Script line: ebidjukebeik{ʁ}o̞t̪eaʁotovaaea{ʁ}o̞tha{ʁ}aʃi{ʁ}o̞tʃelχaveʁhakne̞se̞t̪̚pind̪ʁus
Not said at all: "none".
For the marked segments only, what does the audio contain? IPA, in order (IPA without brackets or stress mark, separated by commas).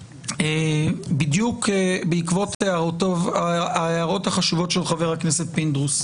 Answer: v, ʁ, χ, v